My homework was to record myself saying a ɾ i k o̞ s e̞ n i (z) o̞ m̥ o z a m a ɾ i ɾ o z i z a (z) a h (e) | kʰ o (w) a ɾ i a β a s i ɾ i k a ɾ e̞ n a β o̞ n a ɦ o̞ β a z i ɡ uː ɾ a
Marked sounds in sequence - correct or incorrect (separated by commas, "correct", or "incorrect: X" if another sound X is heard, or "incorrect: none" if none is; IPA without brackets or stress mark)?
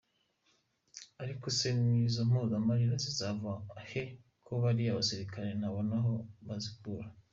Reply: correct, incorrect: v, correct, incorrect: β